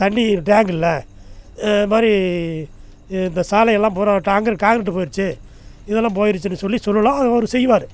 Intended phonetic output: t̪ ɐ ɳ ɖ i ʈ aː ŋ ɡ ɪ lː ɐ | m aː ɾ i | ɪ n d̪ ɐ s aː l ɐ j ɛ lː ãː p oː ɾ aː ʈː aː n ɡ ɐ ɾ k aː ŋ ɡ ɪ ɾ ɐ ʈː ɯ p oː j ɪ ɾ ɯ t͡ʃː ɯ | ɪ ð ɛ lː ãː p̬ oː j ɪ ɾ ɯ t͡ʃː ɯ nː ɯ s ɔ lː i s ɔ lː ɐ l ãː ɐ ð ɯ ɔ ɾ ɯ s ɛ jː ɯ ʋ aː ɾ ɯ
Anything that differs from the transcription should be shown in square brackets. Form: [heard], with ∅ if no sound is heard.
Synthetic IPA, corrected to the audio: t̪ ɐ ɳ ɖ i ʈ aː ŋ ɡ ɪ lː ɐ | m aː ɾ i | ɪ n d̪ ɐ s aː l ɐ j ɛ lː ãː p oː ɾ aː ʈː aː [ŋ] ɡ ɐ ɾ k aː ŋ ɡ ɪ ɾ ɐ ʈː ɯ p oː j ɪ ɾ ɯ t͡ʃː ɯ | ɪ ð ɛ lː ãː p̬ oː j ɪ ɾ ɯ t͡ʃː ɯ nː ɯ s ɔ lː i s ɔ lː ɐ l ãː ɐ ð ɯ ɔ ɾ ɯ s ɛ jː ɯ ʋ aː ɾ ɯ